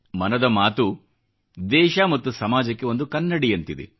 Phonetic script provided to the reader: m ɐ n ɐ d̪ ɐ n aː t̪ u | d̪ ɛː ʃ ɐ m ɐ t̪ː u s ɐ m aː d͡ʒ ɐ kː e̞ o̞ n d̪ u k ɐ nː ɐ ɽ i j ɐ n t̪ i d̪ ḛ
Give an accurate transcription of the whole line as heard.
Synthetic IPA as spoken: m ɐ n ɐ d̪ ɐ m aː t̪ u | d̪ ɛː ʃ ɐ m ɐ t̪ː u s ɐ m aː d͡ʒ ɐ kː e̞ o̞ n d̪ u k ɐ nː ɐ ɽ i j ɐ n t̪ i d̪ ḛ